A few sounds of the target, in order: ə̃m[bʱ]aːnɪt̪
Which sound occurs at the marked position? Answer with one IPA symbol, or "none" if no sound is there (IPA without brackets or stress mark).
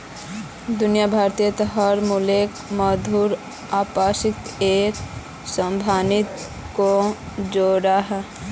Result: bʱ